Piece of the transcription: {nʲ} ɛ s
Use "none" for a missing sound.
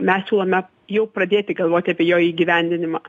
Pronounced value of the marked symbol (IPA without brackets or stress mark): mʲ